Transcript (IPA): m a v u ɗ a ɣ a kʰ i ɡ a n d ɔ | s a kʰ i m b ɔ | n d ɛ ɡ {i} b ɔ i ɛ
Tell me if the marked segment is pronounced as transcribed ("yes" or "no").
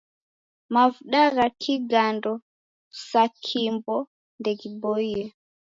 yes